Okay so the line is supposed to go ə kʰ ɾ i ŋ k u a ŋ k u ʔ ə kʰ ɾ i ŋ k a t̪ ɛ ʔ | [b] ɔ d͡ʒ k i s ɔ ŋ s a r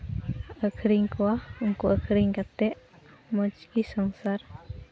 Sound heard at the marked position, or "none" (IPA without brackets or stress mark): m